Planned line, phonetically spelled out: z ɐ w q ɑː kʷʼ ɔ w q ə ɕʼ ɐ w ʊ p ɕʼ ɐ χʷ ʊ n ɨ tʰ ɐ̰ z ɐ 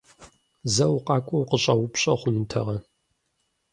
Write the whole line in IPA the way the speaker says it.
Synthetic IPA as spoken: z ɐ w q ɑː kʷʼ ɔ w q ə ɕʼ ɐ w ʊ p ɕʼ ɐ χʷ ʊ n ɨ tʰ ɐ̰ ʁ ɐ